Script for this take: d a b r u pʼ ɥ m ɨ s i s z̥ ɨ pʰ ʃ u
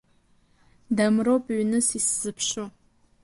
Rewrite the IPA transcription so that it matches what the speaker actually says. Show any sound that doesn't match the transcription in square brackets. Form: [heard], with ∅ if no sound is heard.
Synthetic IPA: d a [m] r [o] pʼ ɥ [n] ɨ s i s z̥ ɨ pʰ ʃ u